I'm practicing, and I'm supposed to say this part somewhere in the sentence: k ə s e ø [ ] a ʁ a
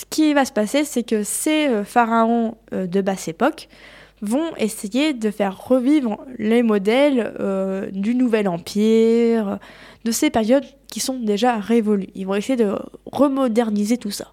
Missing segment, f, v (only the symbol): f